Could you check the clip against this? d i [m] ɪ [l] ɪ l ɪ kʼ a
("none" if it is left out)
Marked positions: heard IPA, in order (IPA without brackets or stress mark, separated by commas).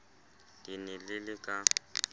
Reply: n, l